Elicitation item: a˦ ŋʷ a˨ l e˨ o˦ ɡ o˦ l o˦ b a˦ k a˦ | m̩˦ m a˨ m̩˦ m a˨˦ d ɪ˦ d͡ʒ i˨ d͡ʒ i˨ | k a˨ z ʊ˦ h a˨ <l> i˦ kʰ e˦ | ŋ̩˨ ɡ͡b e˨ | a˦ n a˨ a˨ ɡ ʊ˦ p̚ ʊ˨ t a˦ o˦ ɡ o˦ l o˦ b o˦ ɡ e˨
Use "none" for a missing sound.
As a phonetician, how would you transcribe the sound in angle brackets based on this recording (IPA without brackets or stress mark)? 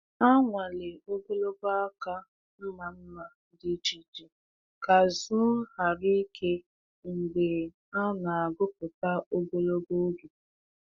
ɾ